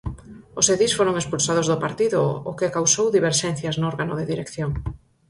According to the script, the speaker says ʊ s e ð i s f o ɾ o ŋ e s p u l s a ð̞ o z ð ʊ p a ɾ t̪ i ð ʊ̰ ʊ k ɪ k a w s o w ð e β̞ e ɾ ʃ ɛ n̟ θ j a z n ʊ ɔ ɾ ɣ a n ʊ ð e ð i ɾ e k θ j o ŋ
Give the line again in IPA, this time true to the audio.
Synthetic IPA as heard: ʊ s e ð i s f o ɾ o ŋ e s p u l s a ð̞ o z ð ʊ p a ɾ t̪ i ð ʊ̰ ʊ k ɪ k a w s o w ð i β̞ e ɾ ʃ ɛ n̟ θ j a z n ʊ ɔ ɾ ɣ a n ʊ ð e ð i ɾ e k θ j o ŋ